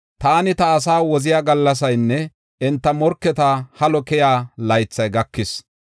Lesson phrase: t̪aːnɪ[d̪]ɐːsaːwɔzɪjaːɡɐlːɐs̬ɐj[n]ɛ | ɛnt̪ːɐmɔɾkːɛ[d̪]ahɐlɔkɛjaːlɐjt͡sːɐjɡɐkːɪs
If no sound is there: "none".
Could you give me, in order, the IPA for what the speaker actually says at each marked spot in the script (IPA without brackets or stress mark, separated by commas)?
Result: t̪, nː, t̪